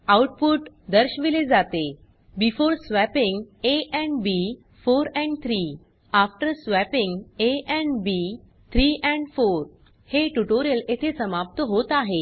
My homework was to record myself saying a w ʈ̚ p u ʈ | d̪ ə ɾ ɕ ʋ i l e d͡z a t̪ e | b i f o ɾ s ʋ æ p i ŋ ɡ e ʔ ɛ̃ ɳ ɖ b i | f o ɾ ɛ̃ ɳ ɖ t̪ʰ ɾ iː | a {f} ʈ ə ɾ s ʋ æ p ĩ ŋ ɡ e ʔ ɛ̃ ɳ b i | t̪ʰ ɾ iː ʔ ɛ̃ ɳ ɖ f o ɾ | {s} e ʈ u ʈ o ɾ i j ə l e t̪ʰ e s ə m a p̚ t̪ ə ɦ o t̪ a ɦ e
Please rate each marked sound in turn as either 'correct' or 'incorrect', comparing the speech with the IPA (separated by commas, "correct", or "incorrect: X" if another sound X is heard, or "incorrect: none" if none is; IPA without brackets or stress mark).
correct, incorrect: h